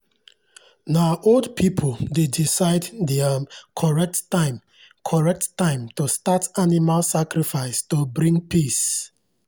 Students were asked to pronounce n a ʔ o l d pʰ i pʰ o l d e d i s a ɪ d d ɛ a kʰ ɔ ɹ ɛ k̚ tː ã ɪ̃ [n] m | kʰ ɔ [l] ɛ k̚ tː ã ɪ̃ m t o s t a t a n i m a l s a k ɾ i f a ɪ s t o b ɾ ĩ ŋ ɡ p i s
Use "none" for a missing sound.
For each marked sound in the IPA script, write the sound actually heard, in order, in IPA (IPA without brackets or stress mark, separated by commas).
none, ɹ